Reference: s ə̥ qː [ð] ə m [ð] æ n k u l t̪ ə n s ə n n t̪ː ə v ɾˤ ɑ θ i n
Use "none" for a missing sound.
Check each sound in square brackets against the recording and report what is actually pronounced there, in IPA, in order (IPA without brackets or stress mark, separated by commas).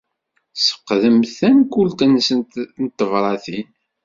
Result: ð, θ